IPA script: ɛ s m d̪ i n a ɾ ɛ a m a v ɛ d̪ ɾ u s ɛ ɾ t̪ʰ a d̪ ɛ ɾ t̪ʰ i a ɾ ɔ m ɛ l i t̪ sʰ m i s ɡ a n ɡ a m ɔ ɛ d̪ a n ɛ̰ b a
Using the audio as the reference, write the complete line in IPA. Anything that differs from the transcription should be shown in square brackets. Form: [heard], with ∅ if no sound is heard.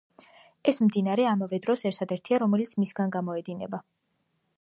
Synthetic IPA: ɛ s m d̪ i n a ɾ ɛ a m a v ɛ d̪ ɾ [ɔ] s ɛ ɾ t̪ʰ a d̪ ɛ ɾ t̪ʰ i a ɾ ɔ m ɛ l i t̪ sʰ m i s ɡ a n ɡ a m ɔ ɛ d̪ [i] n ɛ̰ b a